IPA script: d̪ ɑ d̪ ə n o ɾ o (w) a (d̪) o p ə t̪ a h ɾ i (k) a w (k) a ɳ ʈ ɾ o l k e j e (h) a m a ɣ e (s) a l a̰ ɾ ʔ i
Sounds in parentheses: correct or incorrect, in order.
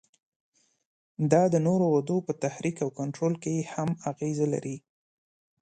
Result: correct, correct, correct, correct, correct, incorrect

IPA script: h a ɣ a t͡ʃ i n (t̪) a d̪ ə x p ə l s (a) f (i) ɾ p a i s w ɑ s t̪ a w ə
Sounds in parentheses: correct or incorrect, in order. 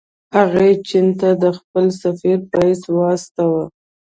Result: correct, correct, correct

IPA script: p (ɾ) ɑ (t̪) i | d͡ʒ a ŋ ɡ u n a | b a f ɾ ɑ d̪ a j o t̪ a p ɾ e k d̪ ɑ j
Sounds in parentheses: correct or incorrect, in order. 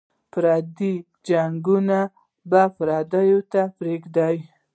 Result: correct, incorrect

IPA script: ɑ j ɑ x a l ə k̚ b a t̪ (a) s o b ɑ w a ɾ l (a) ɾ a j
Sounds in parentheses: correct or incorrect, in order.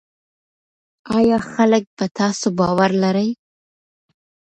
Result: incorrect, correct

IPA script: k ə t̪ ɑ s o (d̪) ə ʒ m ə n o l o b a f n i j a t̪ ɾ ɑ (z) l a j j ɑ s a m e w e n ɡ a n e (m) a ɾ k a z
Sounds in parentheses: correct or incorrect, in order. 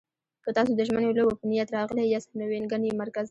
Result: correct, incorrect, correct

